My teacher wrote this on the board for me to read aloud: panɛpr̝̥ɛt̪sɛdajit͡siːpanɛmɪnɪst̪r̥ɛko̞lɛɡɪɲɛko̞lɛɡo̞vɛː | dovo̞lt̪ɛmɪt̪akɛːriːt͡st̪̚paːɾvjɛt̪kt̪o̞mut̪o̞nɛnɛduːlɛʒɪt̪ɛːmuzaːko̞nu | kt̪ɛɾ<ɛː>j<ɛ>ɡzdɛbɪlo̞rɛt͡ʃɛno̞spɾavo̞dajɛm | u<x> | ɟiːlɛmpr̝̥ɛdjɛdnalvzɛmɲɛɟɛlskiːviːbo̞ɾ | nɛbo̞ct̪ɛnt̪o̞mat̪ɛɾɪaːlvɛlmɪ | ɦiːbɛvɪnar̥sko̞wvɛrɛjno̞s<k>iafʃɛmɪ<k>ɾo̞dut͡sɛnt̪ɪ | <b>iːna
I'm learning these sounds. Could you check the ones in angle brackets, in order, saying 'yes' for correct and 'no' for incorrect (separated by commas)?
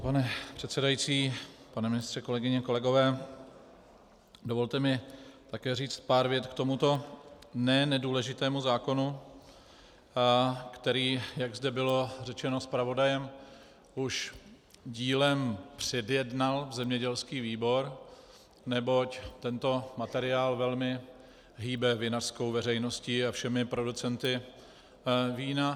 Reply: no, no, no, no, no, no